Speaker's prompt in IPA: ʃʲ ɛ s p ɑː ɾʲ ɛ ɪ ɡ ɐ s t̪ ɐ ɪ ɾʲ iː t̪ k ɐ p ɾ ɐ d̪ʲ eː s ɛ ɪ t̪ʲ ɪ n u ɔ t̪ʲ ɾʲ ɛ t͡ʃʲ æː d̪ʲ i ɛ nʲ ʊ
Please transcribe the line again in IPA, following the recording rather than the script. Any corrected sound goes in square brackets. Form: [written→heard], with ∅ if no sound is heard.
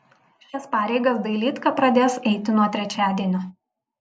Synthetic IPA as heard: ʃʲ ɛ s p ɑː ɾʲ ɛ ɪ ɡ ɐ s [t̪→d̪] ɐ ɪ [ɾʲ→lʲ] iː t̪ k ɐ p ɾ ɐ d̪ʲ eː s ɛ ɪ t̪ʲ ɪ n u ɔ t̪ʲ ɾʲ ɛ t͡ʃʲ æː d̪ʲ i ɛ nʲ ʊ